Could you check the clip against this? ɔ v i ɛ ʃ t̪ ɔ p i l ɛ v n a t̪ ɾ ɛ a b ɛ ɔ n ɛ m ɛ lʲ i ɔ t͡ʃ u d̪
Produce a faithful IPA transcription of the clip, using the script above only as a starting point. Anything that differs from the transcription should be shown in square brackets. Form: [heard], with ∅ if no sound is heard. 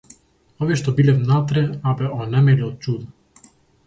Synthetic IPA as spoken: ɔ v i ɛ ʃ t̪ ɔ [b] i l ɛ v n a t̪ ɾ ɛ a b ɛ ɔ n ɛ m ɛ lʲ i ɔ t͡ʃ u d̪

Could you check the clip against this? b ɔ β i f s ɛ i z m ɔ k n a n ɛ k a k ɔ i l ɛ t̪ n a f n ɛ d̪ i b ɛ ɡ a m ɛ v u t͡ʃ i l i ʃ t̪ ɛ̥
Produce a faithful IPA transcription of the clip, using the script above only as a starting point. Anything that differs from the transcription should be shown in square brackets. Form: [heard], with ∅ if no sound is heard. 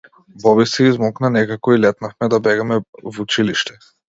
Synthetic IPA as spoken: b ɔ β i [∅] s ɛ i z m ɔ k n a n ɛ k a k ɔ i l ɛ t̪ n a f [m] ɛ d̪ [a] b ɛ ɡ a m ɛ v u t͡ʃ i l i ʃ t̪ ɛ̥

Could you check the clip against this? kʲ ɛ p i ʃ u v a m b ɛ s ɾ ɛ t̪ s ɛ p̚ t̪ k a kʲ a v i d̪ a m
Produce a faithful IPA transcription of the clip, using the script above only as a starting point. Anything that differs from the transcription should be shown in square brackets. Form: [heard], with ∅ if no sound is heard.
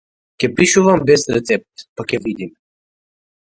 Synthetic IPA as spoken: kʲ ɛ p i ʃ u v a m b ɛ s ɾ ɛ t̪ s ɛ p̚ t̪ [p] a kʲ [ɛ] v i d̪ [i] m

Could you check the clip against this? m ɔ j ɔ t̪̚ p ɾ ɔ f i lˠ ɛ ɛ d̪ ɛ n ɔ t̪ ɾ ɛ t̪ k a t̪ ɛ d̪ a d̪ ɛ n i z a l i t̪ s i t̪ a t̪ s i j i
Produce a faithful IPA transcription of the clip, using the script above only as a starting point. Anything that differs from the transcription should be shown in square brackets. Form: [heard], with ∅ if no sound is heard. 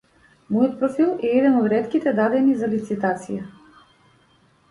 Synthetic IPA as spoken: m ɔ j ɔ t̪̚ p ɾ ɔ f i lˠ ɛ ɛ d̪ ɛ n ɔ [d̪] ɾ ɛ t̪ k [i] t̪ ɛ d̪ a d̪ ɛ n i z a l i t̪ s i t̪ a t̪ s i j [a]

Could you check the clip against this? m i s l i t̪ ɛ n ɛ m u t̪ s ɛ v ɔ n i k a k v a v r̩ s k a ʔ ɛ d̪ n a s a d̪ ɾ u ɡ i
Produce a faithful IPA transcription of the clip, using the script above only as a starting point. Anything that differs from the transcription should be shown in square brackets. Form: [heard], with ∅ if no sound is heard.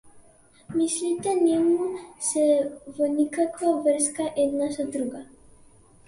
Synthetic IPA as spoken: m i s l i t̪ ɛ n ɛ m u [∅] s ɛ v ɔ n i k a k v a v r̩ s k a ʔ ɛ d̪ n a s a d̪ ɾ u ɡ [a]

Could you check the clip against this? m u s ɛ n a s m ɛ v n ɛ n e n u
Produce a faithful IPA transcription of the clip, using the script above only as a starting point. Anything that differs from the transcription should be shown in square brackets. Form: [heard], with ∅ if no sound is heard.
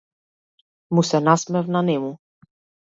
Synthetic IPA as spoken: m u s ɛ n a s m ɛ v n [a] n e [m] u

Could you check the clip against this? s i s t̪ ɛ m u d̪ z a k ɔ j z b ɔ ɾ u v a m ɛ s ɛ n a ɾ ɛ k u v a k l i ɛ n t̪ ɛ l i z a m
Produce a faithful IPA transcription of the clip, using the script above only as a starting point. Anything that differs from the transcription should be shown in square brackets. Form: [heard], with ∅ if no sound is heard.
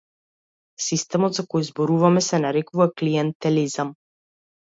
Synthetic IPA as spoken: s i s t̪ ɛ m [ɔ] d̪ z a k ɔ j z b ɔ ɾ u v a m ɛ s ɛ n a ɾ ɛ k u v a k l i ɛ n t̪ ɛ l i z a m

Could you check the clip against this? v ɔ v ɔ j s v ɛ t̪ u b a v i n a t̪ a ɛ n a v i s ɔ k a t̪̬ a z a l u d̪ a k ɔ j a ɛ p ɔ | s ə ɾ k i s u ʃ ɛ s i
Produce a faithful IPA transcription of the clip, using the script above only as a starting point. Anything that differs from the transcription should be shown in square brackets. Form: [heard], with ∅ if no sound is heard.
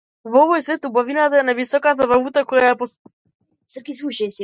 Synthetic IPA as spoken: v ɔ v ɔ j s v ɛ t̪ u b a v i n a t̪ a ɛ n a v i s ɔ k a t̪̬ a [v] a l u [t̪] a k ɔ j a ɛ p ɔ | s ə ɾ k i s u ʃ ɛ s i

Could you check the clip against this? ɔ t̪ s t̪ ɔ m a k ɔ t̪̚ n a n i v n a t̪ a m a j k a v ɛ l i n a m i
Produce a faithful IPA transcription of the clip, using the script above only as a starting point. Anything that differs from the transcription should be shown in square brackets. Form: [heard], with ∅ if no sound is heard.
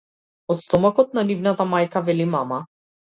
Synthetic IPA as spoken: ɔ t̪ s t̪ ɔ m a k ɔ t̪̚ n a n i v n a t̪ a m a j k a v ɛ l i [m] a m [a]

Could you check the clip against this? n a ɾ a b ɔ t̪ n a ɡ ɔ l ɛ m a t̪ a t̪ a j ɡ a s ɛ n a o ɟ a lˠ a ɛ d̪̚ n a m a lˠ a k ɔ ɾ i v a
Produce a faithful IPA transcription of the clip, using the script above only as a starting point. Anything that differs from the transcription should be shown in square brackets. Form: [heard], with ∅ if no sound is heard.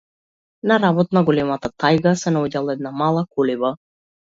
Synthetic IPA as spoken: n a ɾ a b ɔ t̪ n a ɡ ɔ l ɛ m a t̪ a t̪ a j ɡ a s ɛ n a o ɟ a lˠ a ɛ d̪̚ n a m a lˠ a k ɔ [l] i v a

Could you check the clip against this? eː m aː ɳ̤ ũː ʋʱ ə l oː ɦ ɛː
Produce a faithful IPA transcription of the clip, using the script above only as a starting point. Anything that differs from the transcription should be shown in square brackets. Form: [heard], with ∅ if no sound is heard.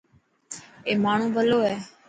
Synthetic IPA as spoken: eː m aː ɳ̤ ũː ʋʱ ə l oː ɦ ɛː

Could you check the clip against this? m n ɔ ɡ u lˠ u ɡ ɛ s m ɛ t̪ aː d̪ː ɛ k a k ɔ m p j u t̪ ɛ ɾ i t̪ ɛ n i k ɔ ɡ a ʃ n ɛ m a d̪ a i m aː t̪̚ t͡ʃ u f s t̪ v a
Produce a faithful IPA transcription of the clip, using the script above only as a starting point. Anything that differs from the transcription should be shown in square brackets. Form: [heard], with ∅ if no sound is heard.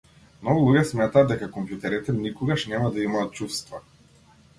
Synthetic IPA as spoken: m n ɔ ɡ u lˠ u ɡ ɛ s m ɛ t̪ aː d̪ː ɛ k a k ɔ m p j u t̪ ɛ ɾ i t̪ ɛ n i k ɔ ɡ a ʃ n ɛ m a d̪ a i m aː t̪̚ t͡ʃ u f s t̪ v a

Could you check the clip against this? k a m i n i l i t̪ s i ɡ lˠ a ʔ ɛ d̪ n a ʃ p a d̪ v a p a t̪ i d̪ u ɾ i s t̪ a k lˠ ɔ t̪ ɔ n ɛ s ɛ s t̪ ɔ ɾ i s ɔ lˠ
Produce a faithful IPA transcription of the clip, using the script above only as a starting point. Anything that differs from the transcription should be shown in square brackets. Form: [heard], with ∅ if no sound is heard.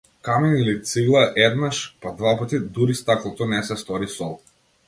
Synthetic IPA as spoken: k a m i n i l i t̪ s i ɡ lˠ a ʔ ɛ d̪ n a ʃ p a d̪ v a p a t̪ i d̪ u ɾ i s t̪ a k lˠ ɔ t̪ ɔ n ɛ s ɛ s t̪ ɔ ɾ i s ɔ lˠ

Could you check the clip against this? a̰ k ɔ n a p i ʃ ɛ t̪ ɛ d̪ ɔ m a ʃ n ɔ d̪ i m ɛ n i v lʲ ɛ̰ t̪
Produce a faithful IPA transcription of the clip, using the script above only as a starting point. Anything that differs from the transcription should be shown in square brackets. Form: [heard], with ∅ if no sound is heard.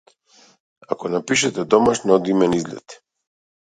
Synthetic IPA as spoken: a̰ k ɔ n a p i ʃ ɛ t̪ ɛ d̪ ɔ m a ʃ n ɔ d̪ i m ɛ n i [z] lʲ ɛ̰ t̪

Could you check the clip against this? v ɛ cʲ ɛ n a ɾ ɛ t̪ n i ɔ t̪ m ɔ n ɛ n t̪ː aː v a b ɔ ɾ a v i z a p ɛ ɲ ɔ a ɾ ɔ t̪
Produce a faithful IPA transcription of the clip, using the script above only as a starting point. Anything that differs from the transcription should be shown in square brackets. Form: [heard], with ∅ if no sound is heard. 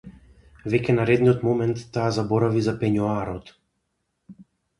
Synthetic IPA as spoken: v ɛ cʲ ɛ n a ɾ ɛ [d̪] n i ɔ t̪ m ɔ [m] ɛ n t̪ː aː [z] a b ɔ ɾ a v i z a p ɛ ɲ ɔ a ɾ ɔ t̪

